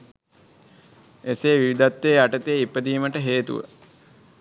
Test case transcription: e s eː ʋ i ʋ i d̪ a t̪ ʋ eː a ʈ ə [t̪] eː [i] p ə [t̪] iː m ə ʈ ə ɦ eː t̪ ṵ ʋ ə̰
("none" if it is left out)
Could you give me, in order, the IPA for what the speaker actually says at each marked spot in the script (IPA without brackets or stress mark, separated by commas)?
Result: t̪, i, d̪